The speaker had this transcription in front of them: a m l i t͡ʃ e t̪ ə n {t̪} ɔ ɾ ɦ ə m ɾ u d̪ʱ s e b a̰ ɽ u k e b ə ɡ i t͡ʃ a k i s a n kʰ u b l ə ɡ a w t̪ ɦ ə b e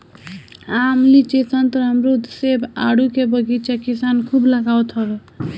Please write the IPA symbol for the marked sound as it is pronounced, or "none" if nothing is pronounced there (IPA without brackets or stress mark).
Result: t̪